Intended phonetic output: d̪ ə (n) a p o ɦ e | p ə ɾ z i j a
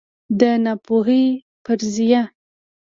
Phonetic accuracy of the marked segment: correct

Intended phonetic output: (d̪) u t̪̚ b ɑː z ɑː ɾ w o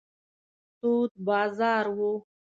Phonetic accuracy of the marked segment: incorrect: t̪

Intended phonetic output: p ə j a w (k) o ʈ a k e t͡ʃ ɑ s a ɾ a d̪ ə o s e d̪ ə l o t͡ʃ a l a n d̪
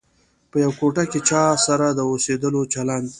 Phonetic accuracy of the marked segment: correct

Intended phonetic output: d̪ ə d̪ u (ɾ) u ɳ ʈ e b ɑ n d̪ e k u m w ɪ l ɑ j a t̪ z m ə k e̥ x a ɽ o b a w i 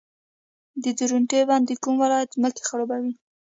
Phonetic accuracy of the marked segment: correct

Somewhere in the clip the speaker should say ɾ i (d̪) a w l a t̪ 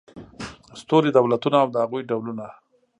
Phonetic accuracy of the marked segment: correct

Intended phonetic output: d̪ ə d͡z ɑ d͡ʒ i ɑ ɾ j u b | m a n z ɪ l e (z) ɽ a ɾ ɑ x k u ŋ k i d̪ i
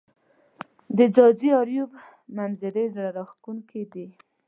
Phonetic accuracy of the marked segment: correct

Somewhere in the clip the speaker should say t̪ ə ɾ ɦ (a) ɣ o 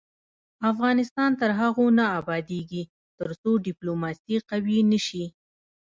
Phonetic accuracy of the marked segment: correct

